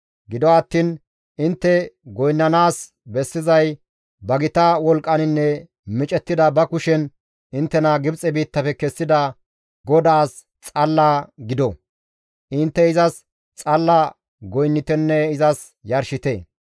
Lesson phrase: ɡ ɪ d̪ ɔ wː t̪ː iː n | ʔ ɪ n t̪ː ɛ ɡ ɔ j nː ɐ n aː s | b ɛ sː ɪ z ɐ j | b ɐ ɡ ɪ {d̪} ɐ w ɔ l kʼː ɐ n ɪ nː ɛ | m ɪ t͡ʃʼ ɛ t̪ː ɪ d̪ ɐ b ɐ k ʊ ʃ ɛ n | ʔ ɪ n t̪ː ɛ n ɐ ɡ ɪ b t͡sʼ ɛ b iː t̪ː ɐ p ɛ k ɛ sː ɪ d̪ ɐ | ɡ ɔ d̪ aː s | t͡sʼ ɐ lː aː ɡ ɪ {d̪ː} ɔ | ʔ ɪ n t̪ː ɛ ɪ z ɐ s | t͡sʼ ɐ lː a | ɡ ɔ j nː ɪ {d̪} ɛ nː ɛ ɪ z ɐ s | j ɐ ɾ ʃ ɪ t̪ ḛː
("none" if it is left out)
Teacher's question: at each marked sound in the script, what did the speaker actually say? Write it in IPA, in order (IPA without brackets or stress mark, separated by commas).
t̪, d̪, t̪